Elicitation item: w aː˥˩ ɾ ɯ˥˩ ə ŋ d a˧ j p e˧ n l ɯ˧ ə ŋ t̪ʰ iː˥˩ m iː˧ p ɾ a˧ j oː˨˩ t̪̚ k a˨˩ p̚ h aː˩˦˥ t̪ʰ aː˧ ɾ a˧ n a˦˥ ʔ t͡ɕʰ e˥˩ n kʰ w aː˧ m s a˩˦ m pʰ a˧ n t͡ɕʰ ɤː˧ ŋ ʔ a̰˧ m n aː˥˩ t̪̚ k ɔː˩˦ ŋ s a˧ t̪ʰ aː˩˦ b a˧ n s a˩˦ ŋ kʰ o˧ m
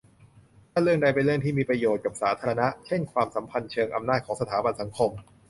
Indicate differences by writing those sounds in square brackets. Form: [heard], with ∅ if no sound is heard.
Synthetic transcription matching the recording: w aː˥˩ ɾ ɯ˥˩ ə ŋ d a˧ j p e˧ n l [ɯ˥˩] ə ŋ t̪ʰ iː˥˩ m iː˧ p ɾ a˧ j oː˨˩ t̪̚ k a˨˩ p̚ [s] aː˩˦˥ t̪ʰ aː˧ ɾ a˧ n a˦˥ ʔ t͡ɕʰ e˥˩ n kʰ w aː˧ m s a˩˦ m pʰ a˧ n t͡ɕʰ ɤː˧ ŋ ʔ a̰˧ m n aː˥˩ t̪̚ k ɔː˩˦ ŋ s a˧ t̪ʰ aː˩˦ b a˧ n s a˩˦ ŋ kʰ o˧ m